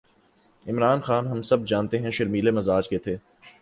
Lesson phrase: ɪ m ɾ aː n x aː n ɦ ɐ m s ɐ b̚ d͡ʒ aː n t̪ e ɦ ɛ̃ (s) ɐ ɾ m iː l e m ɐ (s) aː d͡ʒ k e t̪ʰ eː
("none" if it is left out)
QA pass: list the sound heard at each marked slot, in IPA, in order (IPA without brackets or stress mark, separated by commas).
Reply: ʃ, z